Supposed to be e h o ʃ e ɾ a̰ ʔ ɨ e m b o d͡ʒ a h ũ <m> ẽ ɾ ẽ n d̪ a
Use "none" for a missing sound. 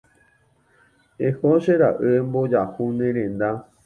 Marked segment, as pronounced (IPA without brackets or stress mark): n